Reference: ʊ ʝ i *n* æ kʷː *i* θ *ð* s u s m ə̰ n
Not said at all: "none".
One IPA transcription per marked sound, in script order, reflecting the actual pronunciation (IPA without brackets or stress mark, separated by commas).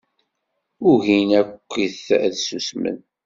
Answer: n, i, ð